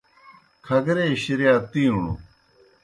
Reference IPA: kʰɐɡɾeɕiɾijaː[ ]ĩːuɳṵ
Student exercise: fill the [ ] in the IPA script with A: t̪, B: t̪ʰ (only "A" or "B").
A